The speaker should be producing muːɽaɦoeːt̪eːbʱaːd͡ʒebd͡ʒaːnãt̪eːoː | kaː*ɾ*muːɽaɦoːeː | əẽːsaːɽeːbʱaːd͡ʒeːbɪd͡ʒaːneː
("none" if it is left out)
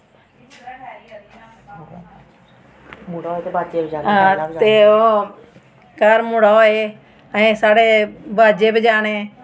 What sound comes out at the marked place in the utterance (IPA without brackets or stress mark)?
ɾ